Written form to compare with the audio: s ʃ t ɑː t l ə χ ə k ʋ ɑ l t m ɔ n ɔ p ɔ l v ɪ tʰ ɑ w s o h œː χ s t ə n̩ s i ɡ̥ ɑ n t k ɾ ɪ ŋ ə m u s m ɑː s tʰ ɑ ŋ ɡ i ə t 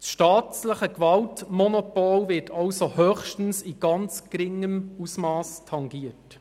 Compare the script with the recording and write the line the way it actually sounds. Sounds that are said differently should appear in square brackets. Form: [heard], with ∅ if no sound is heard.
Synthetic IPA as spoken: s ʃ t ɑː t l ə χ ə k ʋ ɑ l t m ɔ n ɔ p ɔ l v ɪ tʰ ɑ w s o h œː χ [ʃ] t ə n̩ s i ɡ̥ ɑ n [t͡s] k ɾ ɪ ŋ ə m u s m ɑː s tʰ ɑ ŋ ɡ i ə t